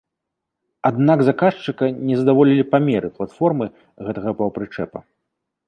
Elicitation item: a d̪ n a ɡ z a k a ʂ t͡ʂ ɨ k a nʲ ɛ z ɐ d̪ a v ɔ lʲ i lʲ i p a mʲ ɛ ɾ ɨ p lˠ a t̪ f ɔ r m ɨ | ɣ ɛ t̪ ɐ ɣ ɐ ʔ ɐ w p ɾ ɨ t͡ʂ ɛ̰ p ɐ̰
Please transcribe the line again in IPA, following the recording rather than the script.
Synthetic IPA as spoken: a d̪ n a ɡ z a k a ʂ t͡ʂ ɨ k ɐ nʲ ɛ z ɐ d̪ a v ɔ lʲ i lʲ i p a mʲ ɛ ɾ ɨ p lˠ a t̪ f ɔ r m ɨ | ɣ ɛ t̪ ɐ ɣ ɐ p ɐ w p ɾ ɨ t͡ʂ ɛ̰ p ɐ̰